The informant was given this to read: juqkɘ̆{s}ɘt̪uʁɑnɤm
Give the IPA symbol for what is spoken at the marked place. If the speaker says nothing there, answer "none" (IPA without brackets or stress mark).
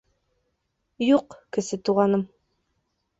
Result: s